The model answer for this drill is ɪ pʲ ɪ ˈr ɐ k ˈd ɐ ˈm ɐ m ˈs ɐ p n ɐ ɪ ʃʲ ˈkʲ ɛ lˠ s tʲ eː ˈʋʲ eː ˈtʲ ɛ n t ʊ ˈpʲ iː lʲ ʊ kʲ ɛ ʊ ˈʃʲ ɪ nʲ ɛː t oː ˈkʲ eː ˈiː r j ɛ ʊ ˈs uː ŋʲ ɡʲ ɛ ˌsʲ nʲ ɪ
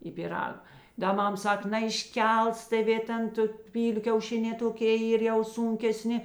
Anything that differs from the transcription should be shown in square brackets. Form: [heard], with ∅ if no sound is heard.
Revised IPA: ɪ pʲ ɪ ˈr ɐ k ˈd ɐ ˈm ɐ m ˈs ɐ [k] n ɐ ɪ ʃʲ ˈkʲ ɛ lˠ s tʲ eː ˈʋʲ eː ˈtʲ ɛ n t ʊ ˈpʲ iː lʲ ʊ kʲ ɛ ʊ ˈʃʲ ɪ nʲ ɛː t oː ˈkʲ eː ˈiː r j ɛ ʊ ˈs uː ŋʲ [kʲ] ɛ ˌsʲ nʲ ɪ